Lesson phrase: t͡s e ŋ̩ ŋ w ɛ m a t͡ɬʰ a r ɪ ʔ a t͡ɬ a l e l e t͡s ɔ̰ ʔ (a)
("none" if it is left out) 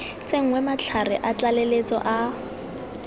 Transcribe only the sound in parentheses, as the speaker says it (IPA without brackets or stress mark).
a